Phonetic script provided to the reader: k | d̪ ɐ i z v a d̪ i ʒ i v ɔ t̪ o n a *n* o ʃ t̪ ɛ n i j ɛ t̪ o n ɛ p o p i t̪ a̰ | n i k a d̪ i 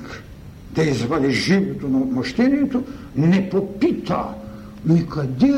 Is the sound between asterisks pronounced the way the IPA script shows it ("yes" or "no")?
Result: no